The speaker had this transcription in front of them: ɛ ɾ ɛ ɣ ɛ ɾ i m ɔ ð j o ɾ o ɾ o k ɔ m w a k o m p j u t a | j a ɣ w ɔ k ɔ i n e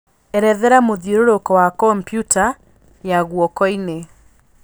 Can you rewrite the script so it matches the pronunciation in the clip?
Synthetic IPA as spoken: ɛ ɾ ɛ ð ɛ ɾ a m o ð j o ɾ o ɾ o k ɔ w a k ɔ m p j u t a | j a ɣ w ɔ k ɔ i n e